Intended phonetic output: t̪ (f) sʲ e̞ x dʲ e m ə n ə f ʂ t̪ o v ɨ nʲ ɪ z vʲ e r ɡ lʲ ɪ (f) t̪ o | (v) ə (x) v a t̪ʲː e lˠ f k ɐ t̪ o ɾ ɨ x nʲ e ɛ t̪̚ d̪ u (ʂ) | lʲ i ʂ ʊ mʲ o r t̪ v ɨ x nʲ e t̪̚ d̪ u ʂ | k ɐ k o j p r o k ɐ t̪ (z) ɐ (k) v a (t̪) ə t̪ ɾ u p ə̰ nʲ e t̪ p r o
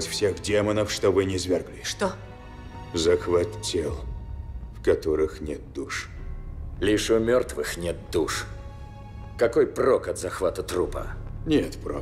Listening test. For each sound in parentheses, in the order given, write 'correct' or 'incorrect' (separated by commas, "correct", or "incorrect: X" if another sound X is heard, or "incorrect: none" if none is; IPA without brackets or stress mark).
correct, incorrect: ʂ, incorrect: z, correct, correct, correct, incorrect: x, correct